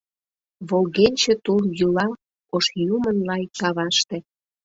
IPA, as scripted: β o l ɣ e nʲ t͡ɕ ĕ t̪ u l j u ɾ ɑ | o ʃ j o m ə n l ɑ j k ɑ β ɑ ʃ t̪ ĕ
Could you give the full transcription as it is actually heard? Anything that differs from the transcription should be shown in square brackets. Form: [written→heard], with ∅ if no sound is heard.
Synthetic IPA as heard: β o l ɣ e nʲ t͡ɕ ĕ t̪ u l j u [ɾ→l] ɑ | o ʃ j [o→u] m ə n l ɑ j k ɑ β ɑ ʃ t̪ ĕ